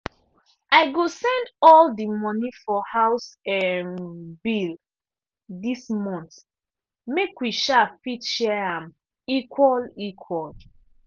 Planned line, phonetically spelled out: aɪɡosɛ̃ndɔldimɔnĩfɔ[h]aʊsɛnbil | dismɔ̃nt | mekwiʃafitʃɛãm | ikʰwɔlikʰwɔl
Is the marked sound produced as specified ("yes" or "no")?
yes